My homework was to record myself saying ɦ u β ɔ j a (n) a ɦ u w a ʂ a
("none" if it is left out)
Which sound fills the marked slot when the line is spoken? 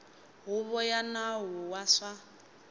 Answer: n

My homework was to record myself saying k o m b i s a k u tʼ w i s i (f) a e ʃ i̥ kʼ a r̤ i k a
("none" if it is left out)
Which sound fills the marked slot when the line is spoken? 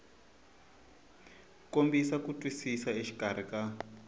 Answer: s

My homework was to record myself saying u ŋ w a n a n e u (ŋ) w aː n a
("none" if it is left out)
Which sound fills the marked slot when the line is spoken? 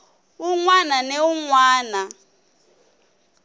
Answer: ŋ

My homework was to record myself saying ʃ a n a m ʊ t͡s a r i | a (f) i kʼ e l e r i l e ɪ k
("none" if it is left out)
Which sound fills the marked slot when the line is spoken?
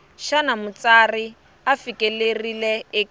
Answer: f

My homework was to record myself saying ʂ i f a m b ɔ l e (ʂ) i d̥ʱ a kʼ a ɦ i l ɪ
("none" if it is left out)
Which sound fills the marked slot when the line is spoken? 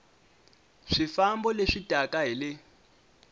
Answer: ʂ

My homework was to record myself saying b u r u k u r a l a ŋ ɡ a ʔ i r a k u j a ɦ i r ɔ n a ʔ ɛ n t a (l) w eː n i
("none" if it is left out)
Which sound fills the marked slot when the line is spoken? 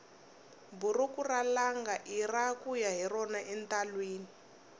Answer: l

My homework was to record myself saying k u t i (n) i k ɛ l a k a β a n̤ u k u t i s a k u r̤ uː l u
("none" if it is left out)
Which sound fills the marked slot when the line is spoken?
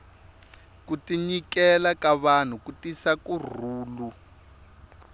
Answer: ɲ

